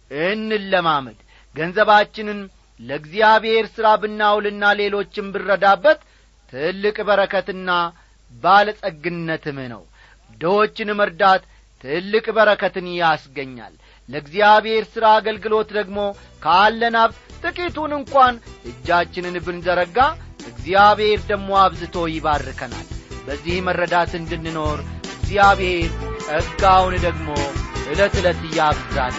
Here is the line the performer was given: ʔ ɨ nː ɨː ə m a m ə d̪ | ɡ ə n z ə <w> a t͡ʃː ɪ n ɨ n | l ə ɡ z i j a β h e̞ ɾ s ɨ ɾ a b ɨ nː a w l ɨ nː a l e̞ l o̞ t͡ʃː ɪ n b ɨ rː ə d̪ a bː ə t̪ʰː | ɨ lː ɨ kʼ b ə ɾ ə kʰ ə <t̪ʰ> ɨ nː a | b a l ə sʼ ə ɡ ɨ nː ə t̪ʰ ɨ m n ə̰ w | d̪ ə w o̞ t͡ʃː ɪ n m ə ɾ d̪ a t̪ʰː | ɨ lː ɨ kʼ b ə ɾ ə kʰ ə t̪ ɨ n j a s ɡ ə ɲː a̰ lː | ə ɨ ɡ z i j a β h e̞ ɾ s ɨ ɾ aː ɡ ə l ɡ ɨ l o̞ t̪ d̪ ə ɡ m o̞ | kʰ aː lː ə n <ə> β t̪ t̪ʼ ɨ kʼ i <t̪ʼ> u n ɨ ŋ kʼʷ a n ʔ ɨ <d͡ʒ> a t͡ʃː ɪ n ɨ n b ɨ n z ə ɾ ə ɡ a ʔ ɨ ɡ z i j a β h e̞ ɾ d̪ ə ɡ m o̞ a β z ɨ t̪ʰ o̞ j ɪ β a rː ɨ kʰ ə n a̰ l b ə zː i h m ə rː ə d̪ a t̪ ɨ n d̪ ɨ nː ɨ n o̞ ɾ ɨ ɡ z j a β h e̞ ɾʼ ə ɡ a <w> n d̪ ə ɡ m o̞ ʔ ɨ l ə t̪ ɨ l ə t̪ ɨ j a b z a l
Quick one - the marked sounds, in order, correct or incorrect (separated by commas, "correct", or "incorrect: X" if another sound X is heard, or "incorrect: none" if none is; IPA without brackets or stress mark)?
incorrect: β, incorrect: t̪, incorrect: a, incorrect: t̪, incorrect: d͡ʒː, correct